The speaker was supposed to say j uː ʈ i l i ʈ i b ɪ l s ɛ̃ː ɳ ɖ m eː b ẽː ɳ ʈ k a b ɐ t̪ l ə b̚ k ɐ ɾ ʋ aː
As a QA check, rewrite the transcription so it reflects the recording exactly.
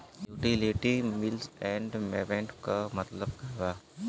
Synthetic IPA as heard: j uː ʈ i l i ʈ i m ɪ l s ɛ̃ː ɳ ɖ m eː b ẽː ɳ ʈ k a m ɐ t̪ l ə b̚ k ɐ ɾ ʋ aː